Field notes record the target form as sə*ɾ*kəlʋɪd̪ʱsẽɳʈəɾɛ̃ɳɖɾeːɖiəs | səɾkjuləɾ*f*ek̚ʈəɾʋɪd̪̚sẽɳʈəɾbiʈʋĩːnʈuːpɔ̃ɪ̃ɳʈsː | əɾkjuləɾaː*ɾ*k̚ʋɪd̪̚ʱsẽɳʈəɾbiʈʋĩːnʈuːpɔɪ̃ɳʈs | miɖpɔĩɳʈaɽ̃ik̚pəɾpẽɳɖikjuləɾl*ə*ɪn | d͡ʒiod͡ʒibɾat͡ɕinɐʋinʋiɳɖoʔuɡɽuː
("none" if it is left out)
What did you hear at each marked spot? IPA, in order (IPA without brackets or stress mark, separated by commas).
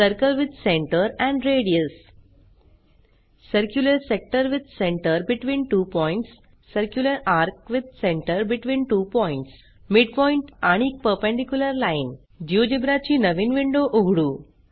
ɾ, s, ɾ, a